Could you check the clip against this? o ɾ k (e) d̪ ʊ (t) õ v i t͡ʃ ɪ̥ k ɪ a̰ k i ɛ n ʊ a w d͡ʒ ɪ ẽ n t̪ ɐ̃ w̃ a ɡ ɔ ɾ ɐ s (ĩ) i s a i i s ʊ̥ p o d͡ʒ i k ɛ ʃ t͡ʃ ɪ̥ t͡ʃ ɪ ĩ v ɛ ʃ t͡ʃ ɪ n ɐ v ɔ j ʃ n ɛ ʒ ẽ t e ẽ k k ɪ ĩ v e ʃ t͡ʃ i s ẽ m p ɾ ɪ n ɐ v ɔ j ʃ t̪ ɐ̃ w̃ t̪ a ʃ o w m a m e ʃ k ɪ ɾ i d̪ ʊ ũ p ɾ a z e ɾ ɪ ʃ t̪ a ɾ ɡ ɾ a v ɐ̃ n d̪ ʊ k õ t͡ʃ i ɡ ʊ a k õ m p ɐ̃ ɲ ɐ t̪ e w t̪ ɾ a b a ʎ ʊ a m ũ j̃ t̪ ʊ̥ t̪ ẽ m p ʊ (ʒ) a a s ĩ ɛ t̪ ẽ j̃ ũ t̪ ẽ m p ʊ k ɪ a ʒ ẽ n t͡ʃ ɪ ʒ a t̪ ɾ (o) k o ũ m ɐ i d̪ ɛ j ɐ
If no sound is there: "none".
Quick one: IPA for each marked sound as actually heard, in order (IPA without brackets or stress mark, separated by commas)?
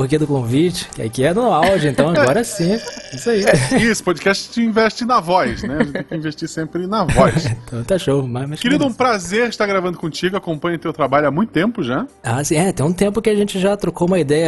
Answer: e, k, ĩ, ʒ, o